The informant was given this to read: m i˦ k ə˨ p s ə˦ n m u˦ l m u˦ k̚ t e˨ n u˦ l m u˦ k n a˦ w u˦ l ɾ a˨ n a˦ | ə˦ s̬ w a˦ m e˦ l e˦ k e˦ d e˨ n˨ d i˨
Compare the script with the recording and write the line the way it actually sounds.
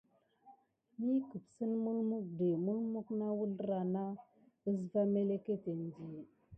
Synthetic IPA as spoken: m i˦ k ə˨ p s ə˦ n m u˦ l m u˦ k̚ d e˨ m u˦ l m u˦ k n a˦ w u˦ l ɾ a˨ n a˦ | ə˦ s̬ v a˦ m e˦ l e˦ k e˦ t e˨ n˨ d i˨